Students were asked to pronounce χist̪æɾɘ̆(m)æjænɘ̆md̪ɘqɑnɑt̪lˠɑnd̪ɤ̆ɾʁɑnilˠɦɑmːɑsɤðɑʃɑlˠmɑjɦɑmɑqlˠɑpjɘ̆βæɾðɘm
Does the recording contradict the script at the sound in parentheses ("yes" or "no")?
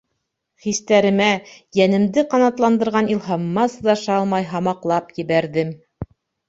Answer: no